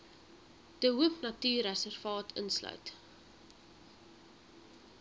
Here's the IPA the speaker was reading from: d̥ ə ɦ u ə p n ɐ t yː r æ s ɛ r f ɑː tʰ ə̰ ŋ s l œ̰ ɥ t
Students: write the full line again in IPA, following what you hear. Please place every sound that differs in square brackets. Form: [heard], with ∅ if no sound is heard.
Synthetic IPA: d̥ ə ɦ u ə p n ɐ t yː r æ s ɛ r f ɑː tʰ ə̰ [n] s l œ̰ ɥ t